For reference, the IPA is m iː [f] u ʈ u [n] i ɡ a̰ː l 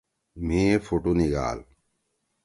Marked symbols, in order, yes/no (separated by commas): yes, yes